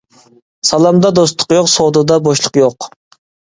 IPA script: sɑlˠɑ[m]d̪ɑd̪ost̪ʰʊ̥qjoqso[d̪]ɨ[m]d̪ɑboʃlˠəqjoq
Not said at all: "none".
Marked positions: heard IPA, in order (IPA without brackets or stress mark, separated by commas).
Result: m, d̪, none